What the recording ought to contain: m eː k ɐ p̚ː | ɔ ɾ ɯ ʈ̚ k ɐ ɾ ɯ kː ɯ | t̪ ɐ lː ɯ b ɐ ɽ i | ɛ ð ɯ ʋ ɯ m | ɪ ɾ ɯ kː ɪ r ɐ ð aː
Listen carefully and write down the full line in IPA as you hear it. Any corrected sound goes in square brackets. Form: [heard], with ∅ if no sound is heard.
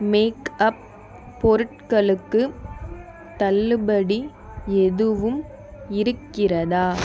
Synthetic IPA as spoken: m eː k ɐ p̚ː | ɔ ɾ ɯ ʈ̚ k ɐ [ɭ] ɯ kː ɯ | t̪ ɐ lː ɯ b ɐ ɽ i | ɛ ð ɯ ʋ ɯ m | ɪ ɾ ɯ kː ɪ r ɐ ð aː